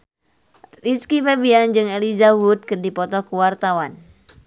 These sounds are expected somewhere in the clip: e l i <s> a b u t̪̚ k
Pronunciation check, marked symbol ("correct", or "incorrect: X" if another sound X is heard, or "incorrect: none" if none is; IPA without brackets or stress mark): incorrect: z